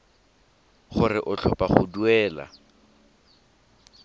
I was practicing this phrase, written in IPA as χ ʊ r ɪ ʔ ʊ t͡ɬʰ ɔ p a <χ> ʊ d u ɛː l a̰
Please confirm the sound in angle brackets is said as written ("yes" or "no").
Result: yes